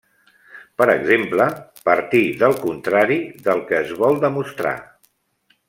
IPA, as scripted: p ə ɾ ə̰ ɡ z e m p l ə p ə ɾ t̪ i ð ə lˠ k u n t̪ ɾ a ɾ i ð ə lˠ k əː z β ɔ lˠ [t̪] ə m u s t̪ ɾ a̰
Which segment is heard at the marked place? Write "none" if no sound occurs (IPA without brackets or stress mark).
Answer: d̪